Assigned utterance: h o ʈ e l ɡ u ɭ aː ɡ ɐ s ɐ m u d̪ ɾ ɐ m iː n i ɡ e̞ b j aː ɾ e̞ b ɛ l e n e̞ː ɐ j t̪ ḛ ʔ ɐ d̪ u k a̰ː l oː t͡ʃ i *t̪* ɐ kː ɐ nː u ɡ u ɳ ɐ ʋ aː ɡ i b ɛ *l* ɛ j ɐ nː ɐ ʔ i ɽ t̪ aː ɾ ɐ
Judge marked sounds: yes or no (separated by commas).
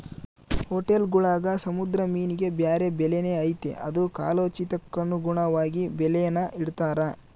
yes, yes